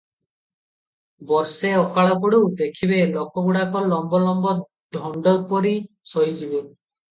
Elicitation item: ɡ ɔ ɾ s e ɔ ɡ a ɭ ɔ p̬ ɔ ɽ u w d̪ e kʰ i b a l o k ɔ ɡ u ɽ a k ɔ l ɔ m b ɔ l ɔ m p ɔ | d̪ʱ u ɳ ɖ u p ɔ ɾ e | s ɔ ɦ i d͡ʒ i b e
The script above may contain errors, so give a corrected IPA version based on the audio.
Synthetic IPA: b ɔ ɾ s e ɔ k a ɭ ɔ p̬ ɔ ɽ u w d̪ e kʰ i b e l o k ɔ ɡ u ɽ a k ɔ l ɔ m b ɔ l ɔ m b ɔ | d̪ʱ ɔ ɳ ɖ ɔ p ɔ ɾ i | s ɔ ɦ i d͡ʒ i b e